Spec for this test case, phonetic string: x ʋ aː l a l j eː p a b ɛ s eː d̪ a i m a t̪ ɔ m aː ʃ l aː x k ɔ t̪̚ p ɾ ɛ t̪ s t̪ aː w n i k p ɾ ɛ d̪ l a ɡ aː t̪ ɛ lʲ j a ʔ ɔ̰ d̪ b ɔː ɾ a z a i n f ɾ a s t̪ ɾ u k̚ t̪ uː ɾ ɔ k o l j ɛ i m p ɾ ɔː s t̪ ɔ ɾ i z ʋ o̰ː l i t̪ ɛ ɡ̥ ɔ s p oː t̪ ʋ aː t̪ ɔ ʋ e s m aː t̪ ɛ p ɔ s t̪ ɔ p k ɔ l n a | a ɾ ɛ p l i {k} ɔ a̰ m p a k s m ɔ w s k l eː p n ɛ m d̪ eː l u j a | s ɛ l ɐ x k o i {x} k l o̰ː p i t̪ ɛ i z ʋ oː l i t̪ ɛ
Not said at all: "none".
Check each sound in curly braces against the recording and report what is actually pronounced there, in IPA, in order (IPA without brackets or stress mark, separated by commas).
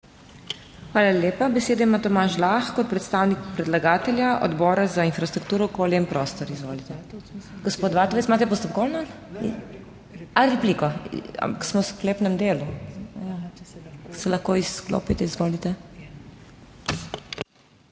k, s